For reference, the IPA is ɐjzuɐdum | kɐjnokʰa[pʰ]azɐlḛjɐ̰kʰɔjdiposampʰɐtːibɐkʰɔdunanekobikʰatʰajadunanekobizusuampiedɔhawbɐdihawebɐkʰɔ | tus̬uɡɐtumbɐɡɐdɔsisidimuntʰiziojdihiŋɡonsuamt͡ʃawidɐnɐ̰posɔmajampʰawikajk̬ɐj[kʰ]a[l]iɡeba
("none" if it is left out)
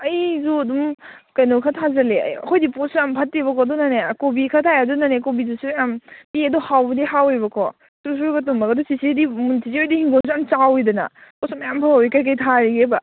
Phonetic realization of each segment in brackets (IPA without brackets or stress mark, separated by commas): tʰ, tʰ, ɾ